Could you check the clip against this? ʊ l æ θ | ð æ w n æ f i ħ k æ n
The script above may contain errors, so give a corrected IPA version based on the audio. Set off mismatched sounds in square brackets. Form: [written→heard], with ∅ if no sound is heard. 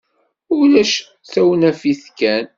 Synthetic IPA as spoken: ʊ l æ [θ→ʃ] | [ð→θ] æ w n æ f i [ħ→θ] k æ n